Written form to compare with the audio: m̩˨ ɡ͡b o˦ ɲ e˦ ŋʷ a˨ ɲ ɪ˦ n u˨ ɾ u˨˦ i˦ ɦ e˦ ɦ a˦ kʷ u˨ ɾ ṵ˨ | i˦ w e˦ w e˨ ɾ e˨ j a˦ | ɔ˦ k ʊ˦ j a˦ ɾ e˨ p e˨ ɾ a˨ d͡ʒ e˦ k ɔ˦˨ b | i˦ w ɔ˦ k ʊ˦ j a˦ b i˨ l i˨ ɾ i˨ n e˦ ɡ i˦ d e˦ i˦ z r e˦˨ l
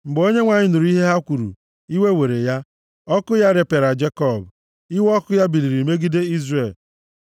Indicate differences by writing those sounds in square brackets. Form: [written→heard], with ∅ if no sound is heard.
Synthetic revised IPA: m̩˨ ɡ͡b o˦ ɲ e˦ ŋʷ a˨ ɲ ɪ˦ n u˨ ɾ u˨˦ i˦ ɦ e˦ ɦ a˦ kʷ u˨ ɾ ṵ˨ | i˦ w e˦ w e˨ ɾ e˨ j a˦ | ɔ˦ k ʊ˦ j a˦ ɾ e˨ p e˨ ɾ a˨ d͡ʒ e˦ k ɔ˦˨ b | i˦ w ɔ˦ k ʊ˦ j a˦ b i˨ l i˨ ɾ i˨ [n→m] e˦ ɡ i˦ d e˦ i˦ z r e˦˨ l